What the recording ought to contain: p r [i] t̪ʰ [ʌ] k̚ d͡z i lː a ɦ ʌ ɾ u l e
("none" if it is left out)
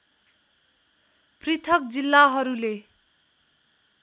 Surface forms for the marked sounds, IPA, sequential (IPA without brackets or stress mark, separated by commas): i, ʌ